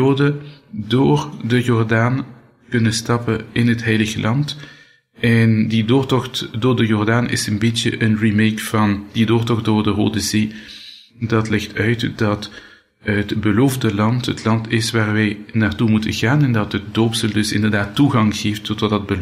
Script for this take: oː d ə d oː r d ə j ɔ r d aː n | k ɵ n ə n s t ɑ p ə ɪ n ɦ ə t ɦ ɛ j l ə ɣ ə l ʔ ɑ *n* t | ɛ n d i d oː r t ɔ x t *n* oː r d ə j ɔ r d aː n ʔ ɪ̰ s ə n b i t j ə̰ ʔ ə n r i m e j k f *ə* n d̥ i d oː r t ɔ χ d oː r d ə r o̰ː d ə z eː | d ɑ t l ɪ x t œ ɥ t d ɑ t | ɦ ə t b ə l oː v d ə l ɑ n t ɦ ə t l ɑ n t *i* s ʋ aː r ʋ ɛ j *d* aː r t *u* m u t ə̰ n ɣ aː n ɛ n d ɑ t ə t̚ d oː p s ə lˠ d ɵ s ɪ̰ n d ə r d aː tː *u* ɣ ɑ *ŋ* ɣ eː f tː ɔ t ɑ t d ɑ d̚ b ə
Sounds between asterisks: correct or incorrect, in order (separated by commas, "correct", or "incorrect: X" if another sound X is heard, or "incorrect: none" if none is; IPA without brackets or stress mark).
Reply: correct, incorrect: d, incorrect: ɑ, incorrect: ɪ, incorrect: n, correct, correct, correct